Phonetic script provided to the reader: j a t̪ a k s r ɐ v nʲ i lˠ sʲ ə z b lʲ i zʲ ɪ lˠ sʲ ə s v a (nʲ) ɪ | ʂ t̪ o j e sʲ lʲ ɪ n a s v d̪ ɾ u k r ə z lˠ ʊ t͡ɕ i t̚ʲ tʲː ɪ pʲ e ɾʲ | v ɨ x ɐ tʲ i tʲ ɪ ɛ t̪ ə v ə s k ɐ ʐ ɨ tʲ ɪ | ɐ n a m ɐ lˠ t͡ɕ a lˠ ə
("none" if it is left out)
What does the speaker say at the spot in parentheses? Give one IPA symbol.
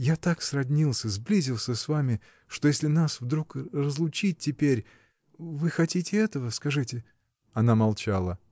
mʲ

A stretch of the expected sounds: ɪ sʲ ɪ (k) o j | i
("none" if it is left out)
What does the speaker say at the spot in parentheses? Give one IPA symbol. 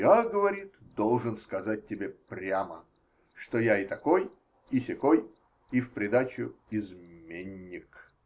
k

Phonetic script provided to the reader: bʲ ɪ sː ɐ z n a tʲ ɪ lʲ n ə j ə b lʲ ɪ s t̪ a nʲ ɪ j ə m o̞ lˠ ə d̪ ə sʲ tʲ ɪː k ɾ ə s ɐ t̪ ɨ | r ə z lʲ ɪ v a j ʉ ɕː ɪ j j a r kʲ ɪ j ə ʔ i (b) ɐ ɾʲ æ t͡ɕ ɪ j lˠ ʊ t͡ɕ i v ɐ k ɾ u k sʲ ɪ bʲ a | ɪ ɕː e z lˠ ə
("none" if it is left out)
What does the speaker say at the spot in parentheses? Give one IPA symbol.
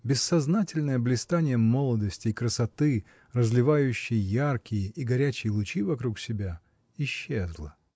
ɡ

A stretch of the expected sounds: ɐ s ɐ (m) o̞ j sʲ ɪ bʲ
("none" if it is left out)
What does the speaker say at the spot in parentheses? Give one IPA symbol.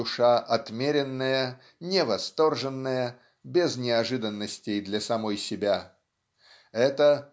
m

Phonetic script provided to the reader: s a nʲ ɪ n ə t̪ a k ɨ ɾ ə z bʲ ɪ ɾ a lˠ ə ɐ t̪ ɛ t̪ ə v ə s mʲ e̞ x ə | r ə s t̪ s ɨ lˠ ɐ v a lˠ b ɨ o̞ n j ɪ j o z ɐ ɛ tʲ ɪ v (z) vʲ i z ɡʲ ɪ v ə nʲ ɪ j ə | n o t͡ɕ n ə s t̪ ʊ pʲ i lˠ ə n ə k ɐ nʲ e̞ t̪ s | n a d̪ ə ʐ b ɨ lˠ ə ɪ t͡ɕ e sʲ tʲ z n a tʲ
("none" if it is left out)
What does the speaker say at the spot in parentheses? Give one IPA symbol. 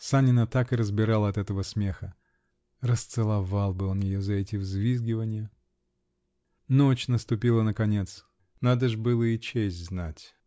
z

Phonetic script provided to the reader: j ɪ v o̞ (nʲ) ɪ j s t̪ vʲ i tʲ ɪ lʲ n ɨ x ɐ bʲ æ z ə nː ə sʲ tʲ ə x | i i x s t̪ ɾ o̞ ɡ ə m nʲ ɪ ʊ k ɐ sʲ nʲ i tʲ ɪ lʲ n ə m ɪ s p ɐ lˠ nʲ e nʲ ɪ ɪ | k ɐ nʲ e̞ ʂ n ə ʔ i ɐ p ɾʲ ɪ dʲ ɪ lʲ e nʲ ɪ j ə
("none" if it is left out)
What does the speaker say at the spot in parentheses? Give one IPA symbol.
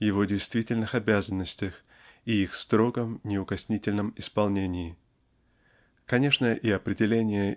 dʲ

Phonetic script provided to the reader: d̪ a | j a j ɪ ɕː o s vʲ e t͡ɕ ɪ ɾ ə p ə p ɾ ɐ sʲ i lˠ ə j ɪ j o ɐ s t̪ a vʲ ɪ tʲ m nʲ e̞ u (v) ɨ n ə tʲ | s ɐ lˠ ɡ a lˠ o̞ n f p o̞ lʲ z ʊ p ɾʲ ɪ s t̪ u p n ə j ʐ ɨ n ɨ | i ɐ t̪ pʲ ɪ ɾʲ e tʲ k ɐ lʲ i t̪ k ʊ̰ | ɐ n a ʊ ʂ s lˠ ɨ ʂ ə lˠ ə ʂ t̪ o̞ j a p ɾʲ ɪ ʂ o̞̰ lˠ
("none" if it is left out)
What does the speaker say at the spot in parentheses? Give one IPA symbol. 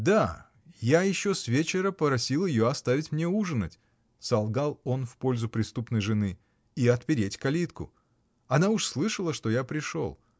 ʐ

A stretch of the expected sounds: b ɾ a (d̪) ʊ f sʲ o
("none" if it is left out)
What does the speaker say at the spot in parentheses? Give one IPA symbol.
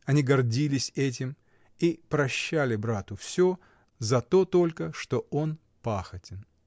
t̪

